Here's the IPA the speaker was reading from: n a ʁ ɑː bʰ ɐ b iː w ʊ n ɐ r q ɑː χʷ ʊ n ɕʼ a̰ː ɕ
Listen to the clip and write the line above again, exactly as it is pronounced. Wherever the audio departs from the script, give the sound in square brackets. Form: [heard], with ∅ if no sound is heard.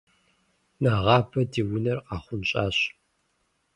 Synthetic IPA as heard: n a ʁ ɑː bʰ ɐ [d] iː w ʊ n ɐ r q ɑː χʷ ʊ n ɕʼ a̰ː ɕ